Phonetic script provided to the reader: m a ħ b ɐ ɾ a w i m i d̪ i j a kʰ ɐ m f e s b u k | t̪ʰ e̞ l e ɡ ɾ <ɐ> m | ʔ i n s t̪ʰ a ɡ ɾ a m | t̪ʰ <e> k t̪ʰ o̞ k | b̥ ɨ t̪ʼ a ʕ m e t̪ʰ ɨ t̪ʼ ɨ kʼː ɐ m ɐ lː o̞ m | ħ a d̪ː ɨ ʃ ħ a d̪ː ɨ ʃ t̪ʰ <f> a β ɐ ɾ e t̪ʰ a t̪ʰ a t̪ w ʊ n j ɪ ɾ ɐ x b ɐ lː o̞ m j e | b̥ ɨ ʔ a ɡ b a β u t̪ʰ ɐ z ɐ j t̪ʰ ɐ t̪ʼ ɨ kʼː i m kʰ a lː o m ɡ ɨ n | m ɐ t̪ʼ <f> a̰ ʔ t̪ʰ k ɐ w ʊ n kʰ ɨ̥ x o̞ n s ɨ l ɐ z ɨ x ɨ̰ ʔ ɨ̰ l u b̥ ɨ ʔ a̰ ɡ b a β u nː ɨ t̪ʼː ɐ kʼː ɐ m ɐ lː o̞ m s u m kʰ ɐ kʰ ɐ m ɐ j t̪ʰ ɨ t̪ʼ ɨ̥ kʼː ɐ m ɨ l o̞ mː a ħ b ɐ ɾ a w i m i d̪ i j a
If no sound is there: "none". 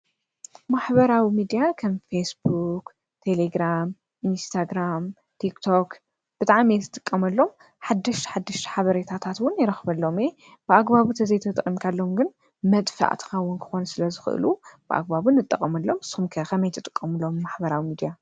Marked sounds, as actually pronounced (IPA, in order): a, i, ħ, f

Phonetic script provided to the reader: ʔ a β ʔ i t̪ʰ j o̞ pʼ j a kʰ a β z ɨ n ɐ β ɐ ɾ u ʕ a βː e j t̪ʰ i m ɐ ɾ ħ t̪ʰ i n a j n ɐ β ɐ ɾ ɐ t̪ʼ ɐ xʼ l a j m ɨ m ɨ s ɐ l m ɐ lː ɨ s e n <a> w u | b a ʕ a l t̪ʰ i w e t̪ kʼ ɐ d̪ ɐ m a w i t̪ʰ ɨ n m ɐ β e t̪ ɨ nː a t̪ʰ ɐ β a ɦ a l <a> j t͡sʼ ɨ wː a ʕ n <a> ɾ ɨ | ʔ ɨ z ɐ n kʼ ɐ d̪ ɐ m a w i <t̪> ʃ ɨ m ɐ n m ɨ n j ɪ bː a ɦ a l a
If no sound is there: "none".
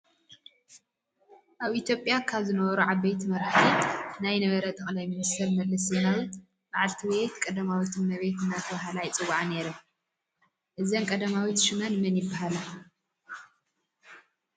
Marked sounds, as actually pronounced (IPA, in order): a, a, e, t̪

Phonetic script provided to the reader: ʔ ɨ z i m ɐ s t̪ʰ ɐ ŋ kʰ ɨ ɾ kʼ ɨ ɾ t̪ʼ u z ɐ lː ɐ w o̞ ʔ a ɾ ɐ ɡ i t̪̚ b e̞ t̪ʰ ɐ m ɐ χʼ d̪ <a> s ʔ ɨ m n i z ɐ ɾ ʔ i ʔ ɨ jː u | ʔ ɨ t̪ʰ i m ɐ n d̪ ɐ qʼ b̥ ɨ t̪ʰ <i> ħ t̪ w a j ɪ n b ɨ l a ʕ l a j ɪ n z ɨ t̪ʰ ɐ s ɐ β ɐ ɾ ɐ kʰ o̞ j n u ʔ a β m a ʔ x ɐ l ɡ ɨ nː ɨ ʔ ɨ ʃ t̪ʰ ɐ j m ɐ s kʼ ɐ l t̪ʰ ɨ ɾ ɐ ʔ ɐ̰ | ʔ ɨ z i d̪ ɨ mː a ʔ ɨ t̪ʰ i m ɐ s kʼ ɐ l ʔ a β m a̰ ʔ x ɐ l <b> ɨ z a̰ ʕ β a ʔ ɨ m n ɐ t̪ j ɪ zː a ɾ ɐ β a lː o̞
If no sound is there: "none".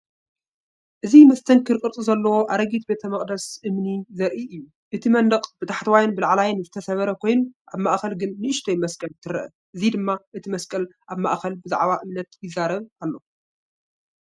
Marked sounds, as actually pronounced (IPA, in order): ɐ, a, b

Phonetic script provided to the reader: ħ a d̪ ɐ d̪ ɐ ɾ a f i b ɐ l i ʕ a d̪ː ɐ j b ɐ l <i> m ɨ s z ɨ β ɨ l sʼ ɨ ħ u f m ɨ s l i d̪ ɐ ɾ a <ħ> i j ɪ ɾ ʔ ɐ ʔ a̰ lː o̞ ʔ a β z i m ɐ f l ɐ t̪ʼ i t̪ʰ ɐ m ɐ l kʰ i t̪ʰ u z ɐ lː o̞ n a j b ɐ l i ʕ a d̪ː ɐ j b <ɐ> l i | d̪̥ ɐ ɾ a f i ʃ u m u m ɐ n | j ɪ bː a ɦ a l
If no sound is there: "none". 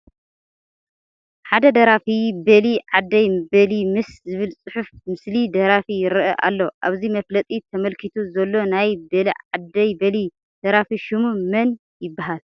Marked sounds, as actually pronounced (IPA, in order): i, f, ɐ

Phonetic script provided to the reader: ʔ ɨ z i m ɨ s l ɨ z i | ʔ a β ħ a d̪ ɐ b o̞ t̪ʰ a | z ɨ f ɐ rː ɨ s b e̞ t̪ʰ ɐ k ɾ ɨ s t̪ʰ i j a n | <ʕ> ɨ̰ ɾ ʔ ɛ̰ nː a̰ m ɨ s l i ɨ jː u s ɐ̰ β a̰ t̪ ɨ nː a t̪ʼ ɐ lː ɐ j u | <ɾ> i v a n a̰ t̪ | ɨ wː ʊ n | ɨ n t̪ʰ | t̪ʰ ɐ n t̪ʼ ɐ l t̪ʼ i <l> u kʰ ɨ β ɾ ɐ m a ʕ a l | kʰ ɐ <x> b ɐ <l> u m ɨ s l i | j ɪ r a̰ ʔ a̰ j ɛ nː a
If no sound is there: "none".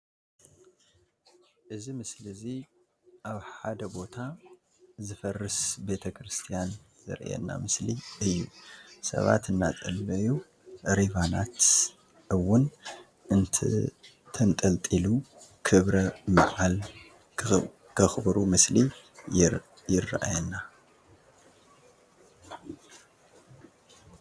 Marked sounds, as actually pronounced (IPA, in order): z, ɾ, l, x, ɾ

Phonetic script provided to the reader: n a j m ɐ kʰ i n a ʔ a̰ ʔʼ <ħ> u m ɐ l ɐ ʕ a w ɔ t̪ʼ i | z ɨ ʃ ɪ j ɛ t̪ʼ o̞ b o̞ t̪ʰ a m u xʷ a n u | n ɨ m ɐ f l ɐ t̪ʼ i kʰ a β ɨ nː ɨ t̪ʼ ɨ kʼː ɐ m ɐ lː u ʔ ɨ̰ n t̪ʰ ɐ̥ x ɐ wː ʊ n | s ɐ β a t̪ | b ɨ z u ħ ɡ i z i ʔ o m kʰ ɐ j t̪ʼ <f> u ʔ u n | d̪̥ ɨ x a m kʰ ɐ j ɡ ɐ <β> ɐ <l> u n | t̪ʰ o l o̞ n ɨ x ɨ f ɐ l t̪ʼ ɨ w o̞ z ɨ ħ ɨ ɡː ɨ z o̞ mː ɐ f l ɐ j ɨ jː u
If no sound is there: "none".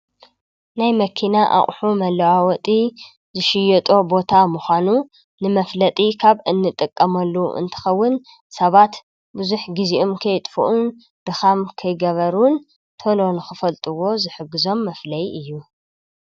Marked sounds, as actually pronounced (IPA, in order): ħ, f, β, ɾ

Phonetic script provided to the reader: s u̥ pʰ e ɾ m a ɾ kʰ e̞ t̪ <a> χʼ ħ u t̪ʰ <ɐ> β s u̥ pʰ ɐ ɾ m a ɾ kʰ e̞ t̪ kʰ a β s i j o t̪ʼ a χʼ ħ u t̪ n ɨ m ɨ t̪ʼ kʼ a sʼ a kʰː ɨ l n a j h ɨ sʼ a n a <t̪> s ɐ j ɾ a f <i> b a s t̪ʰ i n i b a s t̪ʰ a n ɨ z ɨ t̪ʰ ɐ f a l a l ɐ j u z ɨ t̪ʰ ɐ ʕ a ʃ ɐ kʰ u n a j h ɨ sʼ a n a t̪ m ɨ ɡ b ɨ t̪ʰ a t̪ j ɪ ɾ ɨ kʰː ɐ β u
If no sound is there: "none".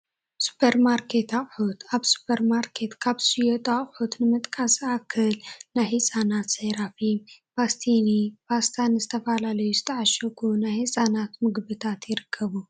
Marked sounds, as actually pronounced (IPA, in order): a, a, t̪, i

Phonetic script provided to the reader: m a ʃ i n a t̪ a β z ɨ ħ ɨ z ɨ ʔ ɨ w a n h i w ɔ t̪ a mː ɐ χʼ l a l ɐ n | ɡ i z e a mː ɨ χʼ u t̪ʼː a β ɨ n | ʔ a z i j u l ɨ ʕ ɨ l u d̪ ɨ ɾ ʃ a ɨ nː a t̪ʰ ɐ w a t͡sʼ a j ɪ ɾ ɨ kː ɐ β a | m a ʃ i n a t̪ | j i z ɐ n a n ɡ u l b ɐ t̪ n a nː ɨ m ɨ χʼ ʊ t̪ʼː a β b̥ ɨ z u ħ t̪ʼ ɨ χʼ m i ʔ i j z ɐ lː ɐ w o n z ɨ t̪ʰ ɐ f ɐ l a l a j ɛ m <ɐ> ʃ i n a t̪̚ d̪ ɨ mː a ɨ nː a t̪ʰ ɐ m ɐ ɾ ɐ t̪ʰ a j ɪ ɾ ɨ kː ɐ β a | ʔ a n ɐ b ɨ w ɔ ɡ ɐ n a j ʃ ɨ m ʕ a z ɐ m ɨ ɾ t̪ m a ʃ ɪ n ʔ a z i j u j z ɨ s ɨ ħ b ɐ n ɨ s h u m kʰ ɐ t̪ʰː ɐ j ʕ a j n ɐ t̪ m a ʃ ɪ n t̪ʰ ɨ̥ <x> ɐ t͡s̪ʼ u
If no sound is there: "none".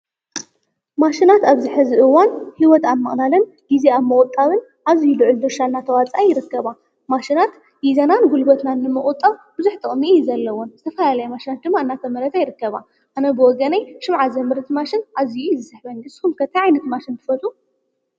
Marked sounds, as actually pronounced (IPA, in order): a, f

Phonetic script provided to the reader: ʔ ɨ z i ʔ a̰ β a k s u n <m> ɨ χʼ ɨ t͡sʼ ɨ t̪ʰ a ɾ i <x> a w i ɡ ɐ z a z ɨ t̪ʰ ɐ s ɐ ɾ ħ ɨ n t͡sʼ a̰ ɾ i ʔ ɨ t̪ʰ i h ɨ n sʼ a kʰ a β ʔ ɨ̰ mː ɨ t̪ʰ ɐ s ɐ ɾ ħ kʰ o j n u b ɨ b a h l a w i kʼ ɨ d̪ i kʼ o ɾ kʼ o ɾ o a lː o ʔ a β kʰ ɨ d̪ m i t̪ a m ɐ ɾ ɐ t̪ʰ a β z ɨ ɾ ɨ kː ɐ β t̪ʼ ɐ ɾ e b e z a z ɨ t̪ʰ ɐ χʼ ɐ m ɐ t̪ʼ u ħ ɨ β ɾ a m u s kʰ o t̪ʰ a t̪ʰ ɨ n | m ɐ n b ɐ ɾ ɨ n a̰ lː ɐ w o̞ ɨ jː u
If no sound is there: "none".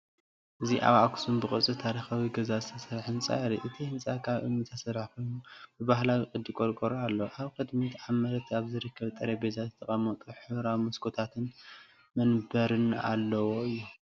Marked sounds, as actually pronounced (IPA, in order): b, x

